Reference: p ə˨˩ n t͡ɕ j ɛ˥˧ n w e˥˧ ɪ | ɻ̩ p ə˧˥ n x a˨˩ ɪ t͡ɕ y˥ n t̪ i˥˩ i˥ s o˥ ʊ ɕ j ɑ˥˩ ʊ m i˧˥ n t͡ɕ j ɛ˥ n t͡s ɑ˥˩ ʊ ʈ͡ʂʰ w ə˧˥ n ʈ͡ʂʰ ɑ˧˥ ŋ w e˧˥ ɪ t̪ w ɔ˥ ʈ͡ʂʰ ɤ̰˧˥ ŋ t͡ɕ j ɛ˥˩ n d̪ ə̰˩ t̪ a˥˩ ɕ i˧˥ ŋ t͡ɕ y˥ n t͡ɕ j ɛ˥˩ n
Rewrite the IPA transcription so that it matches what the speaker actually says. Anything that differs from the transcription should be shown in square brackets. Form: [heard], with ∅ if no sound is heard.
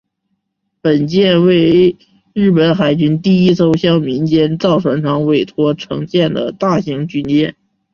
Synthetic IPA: p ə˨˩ n t͡ɕ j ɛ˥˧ n w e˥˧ ɪ | ɻ̩ p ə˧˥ n x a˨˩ ɪ t͡ɕ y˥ n t̪ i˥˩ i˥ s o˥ ʊ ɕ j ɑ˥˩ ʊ m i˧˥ n t͡ɕ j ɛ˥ n t͡s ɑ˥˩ ʊ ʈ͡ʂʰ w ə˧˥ n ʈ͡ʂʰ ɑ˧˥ ŋ w [e˨˩] ɪ [t̪ʰ] w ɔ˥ ʈ͡ʂʰ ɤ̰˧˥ ŋ t͡ɕ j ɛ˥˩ n d̪ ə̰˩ t̪ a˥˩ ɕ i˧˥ ŋ t͡ɕ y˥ n t͡ɕ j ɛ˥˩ n